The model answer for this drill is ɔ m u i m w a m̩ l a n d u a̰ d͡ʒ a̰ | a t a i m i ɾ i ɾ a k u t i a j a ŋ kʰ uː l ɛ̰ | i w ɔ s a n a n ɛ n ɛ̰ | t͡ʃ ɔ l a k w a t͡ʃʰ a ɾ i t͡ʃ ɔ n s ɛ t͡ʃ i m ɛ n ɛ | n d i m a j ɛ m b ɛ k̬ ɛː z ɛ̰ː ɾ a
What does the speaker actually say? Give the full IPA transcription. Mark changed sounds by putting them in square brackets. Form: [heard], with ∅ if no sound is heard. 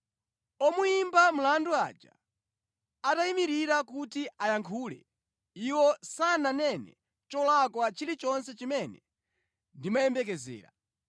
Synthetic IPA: ɔ m u i m [b] a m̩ l a n d u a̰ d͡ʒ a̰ | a t a i m i ɾ i ɾ a k u t i a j a ŋ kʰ uː l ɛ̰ | i w ɔ s a n a n ɛ n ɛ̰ | t͡ʃ ɔ l a k w a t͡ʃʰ [i] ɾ i t͡ʃ ɔ n s ɛ t͡ʃ i m ɛ n ɛ | n d i m a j ɛ m b ɛ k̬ [ɛ] z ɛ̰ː ɾ a